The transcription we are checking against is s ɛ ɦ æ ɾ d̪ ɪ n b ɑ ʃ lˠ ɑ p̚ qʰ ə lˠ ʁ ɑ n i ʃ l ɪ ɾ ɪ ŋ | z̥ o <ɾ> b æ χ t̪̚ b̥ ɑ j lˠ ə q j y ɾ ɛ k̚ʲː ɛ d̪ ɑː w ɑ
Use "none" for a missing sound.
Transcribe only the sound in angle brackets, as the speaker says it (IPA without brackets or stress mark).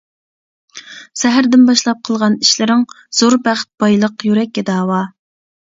ɾ